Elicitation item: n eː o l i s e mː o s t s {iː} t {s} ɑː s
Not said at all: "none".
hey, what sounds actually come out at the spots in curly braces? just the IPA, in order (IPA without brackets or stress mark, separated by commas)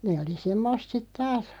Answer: i, t